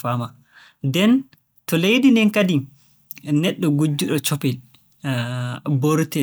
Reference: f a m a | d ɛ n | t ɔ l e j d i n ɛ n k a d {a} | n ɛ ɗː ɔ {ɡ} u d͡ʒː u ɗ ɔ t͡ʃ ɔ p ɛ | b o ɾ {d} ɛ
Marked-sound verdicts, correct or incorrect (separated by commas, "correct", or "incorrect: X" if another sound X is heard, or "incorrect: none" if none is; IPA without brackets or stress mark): incorrect: i, correct, incorrect: t